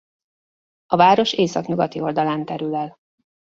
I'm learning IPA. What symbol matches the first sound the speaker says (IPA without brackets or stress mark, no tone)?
ɒ